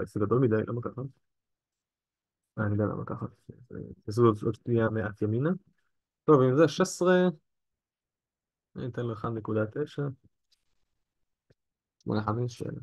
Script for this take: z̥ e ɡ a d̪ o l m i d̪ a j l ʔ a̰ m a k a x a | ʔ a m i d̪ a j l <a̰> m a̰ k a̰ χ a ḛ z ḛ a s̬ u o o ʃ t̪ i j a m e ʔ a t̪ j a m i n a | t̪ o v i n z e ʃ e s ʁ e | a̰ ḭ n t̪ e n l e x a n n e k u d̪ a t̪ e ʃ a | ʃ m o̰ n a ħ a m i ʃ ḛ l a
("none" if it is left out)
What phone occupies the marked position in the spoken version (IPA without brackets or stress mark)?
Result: a̰